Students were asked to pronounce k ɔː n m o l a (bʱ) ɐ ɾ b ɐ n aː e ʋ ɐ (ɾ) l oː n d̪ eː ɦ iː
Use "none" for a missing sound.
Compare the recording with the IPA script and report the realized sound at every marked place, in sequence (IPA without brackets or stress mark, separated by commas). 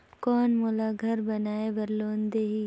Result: ɡʱ, ɾ